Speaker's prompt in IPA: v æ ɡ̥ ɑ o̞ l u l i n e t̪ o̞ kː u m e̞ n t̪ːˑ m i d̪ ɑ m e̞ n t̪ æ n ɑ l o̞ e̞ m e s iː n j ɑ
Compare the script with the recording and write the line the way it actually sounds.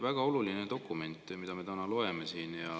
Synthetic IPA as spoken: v æ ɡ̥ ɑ o̞ l u l i n e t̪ o̞ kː u m e̞ n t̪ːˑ m i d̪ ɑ m e̞ t̪ æ n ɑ l o̞ e̞ m e s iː n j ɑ